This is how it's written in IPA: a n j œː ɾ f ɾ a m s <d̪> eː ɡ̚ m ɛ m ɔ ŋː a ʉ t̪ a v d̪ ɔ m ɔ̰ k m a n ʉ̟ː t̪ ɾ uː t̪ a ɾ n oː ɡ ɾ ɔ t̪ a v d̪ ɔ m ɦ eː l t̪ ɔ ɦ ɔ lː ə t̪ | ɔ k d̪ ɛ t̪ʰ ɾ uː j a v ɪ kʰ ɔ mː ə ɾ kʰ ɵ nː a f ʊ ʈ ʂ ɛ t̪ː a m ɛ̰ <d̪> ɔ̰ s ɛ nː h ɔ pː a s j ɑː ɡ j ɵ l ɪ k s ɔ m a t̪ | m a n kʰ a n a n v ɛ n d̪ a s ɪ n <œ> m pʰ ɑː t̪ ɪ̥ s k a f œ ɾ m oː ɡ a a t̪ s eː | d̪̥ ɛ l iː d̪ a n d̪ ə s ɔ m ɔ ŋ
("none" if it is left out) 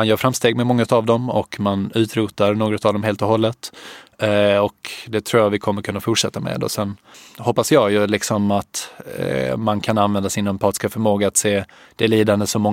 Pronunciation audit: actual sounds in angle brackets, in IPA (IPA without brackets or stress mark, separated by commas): t̪, d̪, œ